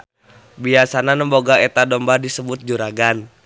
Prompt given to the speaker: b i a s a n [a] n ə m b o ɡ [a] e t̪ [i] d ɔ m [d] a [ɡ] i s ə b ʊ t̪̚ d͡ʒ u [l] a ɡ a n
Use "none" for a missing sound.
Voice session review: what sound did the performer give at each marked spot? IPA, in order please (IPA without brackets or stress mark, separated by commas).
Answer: a, a, a, b, d, ɾ